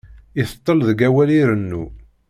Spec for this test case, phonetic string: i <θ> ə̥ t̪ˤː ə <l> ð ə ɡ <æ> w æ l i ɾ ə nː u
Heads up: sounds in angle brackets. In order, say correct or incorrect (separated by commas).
correct, correct, correct